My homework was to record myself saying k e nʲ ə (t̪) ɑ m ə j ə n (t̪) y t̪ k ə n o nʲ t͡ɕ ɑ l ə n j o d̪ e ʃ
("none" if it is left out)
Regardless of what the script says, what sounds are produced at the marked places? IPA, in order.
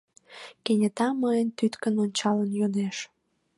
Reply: t̪, t̪

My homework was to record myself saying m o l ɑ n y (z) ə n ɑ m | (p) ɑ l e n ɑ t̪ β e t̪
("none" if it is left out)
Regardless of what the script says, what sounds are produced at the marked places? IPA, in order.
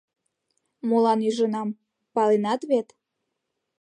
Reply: ʒ, p

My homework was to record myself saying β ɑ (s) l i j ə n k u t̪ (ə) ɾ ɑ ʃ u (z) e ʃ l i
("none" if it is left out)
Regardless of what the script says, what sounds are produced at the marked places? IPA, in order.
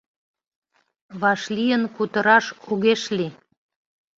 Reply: ʃ, ə, ɣ

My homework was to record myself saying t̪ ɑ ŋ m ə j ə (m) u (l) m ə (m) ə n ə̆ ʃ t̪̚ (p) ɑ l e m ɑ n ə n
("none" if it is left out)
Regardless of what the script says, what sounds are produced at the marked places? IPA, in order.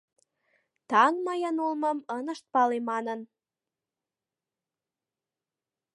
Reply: n, l, m, p

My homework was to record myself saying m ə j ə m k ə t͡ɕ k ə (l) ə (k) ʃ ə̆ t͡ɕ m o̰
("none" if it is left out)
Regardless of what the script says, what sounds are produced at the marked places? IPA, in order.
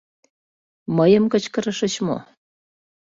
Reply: ɾ, none

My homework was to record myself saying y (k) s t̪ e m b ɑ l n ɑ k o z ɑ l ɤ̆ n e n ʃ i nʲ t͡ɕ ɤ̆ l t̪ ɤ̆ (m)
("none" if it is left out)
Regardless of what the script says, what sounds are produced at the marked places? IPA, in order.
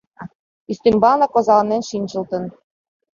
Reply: none, n

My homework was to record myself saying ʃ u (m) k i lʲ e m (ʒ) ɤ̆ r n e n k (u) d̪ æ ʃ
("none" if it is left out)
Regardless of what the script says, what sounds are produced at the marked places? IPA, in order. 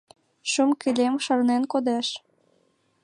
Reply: m, ʃ, o

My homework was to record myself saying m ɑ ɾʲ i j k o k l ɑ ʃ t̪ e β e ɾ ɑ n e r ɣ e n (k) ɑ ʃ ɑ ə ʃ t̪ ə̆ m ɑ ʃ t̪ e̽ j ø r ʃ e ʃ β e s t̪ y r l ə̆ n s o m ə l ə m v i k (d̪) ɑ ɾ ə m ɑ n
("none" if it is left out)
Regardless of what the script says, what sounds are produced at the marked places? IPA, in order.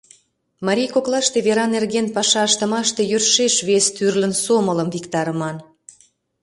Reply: p, t̪

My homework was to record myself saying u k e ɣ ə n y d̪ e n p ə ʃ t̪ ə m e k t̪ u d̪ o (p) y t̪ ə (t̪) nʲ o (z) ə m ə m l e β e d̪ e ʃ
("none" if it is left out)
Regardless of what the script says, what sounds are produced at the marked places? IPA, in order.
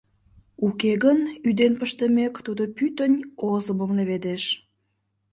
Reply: p, none, z

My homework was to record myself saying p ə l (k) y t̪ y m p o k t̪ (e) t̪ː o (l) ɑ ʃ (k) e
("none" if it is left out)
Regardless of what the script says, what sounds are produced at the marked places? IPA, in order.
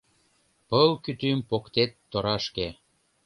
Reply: k, e, ɾ, k

